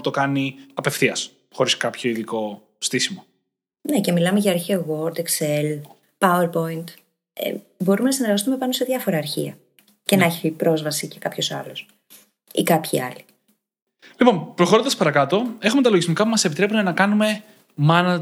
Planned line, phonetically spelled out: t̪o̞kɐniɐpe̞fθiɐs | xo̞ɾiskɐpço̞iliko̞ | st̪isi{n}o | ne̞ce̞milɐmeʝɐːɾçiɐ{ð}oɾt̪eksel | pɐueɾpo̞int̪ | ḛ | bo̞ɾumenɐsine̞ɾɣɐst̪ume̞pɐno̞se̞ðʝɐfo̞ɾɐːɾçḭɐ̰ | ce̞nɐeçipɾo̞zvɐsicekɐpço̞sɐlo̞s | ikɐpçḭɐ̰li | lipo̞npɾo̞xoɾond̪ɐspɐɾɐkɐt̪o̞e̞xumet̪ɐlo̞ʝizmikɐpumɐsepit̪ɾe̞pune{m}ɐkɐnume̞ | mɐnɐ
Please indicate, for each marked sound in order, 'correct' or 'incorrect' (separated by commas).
incorrect, incorrect, incorrect